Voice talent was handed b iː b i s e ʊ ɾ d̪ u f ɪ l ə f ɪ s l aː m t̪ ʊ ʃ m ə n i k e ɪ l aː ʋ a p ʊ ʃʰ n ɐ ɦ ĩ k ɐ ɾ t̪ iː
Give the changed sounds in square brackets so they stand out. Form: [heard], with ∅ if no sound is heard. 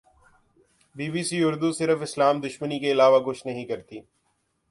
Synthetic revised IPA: b iː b i s [i] ʊ ɾ d̪ u [s] ɪ [ɾ] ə f ɪ s l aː m [d̪] ʊ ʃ m ə n i k e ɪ l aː ʋ a [k] ʊ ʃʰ n ɐ ɦ ĩ k ɐ ɾ t̪ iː